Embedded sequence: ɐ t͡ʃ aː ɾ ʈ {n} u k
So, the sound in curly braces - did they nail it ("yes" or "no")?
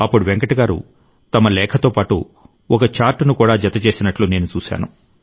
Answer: yes